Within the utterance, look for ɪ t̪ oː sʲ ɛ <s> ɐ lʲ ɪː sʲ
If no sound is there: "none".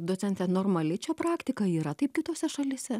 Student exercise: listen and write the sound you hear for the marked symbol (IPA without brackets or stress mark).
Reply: ʃ